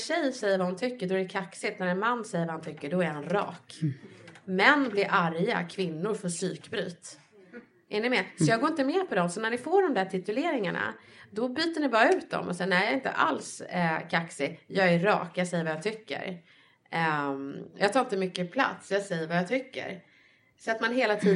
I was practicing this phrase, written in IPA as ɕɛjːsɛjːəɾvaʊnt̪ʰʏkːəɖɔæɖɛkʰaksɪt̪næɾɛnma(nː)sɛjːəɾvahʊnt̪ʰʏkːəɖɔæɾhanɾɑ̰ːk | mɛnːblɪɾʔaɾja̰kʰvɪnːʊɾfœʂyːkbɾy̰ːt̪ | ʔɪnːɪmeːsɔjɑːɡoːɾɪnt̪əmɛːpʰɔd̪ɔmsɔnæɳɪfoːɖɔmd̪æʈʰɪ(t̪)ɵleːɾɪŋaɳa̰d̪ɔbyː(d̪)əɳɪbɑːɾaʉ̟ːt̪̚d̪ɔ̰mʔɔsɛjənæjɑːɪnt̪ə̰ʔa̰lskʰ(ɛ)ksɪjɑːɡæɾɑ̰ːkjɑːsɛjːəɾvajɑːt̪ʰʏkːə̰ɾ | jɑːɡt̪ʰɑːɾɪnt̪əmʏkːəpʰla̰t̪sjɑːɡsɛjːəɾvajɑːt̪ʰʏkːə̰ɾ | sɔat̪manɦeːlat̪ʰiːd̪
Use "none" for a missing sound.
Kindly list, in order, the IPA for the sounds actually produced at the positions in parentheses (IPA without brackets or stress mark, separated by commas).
nː, t̪, t̪, a